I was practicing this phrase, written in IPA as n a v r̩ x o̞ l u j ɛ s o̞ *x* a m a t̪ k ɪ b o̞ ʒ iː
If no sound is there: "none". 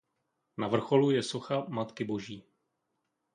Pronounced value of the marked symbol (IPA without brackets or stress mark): x